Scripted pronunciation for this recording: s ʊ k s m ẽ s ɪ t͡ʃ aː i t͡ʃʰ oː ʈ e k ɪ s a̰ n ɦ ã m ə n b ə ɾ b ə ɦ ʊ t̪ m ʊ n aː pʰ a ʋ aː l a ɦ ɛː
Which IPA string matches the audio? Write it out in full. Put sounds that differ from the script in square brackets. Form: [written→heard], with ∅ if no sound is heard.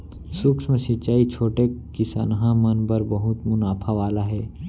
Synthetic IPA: s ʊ k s m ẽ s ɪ t͡ʃ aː i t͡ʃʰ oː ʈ e k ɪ s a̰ n ɦ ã m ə n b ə ɾ b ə ɦ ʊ t̪ m ʊ n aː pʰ a ʋ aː l a ɦ ɛː